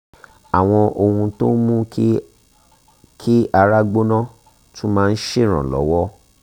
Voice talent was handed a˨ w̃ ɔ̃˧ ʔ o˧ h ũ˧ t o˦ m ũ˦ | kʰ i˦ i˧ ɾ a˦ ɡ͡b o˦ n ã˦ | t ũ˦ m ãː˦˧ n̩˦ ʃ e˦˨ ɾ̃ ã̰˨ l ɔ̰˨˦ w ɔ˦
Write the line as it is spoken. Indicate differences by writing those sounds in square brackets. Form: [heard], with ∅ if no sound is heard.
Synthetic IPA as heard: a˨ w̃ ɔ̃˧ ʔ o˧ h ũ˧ t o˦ m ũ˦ | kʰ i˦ [a˧] ɾ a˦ ɡ͡b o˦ n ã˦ | t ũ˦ m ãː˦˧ n̩˦ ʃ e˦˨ ɾ̃ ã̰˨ l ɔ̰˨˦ w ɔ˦